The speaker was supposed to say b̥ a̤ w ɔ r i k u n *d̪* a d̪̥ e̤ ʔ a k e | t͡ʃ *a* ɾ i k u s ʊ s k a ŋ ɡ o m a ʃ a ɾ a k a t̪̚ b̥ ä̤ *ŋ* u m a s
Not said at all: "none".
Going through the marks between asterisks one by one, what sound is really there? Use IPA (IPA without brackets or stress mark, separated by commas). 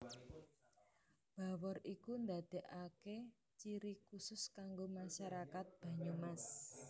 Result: d̪, i, ɲ